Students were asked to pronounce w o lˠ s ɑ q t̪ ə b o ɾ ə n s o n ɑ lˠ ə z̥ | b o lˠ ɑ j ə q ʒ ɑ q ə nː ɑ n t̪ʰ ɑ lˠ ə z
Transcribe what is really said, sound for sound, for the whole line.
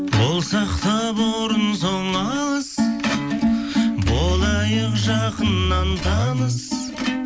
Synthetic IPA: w o lˠ s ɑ q t̪ ɑ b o ɾ ə n s o ɴ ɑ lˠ ə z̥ | b o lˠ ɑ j ə q ʒ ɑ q ə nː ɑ n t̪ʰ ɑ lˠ ə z

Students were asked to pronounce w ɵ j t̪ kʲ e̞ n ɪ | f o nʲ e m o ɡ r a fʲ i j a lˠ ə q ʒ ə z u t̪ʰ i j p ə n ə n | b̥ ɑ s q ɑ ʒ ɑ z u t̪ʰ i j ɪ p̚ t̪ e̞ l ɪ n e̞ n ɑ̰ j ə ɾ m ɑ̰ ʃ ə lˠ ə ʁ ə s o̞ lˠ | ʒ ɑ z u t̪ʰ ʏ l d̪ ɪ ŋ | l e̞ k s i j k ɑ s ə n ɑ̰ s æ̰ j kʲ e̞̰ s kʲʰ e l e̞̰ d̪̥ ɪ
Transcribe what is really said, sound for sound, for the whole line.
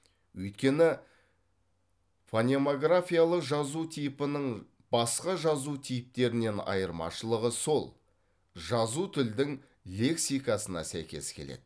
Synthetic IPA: w ɵ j t̪ kʲ e̞ n ɪ | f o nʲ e m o ɡ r a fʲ i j a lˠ ə q ʒ ɑ z u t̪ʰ i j p ə n ə ɴ | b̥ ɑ s q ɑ ʒ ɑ z u t̪ʰ i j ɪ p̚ t̪ e̞ ɾ ɪ n e̞ n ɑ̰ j ə ɾ m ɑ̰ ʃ ə lˠ ə ʁ ə s o̞ lˠ | ʒ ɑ z u t̪ʰ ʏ l d̪ ɪ ŋ | l e̞ k s i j k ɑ s ə n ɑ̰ s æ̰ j kʲ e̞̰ s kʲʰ e l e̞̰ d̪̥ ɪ

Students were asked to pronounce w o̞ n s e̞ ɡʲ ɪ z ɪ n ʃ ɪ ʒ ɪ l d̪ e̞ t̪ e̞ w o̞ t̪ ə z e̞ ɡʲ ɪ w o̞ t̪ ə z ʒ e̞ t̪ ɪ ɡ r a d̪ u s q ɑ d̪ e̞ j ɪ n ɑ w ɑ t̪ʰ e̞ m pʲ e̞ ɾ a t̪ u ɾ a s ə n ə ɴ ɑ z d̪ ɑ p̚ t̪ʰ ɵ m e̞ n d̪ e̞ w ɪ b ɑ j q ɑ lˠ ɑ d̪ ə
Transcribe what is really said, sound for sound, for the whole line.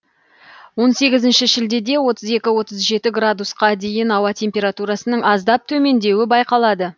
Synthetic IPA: w o̞ n s e̞ ɡʲ ɪ z ɪ n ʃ ɪ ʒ ɪ l d̪ e̞ d̪ e̞ w o̞ t̪ ə z e̞ kʲ ɪ w o̞ t̪ ə z ʒ e̞ t̪ ɪ ɡ r a d̪ u s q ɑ d̪ e̞ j ɪ n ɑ w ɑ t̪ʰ e̞ m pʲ e̞ ɾ a t̪ u ɾ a s ə n ə ɴ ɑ z d̪ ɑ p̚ t̪ʰ ɵ m e̞ n d̪ e̞ w ɪ b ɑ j q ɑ lˠ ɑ d̪ ə

